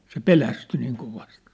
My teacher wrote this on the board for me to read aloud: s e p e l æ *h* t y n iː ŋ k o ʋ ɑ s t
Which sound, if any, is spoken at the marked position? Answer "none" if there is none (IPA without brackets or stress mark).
s